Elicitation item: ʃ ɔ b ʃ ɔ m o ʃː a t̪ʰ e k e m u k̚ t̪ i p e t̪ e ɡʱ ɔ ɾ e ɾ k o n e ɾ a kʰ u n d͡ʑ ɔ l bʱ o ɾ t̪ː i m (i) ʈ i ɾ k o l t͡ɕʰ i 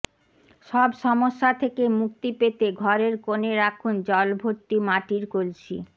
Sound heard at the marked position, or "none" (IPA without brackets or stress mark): a